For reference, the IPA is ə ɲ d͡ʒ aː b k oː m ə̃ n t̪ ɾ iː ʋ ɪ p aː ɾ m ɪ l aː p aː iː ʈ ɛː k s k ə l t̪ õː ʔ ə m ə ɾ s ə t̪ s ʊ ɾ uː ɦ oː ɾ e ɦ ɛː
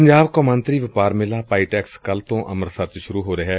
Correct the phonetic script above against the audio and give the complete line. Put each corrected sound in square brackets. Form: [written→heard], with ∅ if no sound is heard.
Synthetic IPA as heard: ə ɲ d͡ʒ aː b k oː m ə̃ n t̪ ɾ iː ʋ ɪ p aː ɾ m ɪ l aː p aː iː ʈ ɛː k s k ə l t̪ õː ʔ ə m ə ɾ s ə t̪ [s→ʃ] ʊ ɾ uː ɦ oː ɾ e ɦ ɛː